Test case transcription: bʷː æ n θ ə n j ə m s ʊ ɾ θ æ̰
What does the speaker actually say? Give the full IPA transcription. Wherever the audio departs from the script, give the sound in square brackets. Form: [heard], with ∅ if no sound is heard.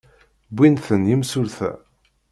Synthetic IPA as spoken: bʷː [i] n θ ə n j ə m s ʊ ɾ θ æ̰